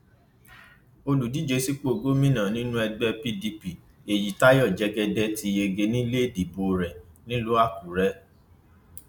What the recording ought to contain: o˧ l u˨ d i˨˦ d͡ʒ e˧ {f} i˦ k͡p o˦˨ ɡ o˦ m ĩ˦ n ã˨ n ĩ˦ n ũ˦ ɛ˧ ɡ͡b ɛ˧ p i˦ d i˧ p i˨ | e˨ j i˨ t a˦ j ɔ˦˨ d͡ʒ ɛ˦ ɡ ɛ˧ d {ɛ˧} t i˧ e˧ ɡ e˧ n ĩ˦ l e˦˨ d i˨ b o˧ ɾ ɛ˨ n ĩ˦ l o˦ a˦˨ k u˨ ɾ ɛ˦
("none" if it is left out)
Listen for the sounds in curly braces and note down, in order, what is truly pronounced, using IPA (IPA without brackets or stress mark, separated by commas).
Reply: s, ɛ˧